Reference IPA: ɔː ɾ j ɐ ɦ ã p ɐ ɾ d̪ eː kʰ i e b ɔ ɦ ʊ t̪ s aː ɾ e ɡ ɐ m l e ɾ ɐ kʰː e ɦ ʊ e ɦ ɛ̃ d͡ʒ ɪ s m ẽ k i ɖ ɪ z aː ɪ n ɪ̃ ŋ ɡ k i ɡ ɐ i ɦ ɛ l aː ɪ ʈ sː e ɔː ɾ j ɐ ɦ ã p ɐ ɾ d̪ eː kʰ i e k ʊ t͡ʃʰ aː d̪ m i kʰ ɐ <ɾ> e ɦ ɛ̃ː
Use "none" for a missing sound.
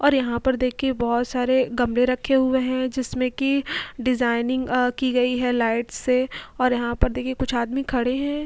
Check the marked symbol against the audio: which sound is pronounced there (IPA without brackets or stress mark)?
ɽ